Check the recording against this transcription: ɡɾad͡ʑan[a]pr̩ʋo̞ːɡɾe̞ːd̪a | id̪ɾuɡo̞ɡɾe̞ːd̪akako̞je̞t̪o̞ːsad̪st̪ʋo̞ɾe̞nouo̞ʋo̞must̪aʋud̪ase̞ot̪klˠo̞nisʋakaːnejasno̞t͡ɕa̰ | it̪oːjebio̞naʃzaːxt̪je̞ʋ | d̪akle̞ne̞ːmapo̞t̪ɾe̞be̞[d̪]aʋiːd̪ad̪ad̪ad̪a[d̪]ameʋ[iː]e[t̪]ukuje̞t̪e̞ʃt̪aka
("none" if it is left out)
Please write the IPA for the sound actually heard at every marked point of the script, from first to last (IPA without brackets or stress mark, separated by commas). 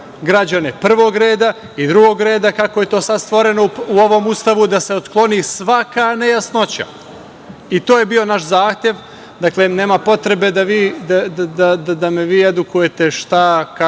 e, d̪, d̪, iː, d̪